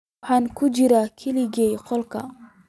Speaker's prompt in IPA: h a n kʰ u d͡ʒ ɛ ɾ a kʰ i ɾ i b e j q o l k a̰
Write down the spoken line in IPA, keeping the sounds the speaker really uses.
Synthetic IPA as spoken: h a n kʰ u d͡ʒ i ɾ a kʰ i l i ɡ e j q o l k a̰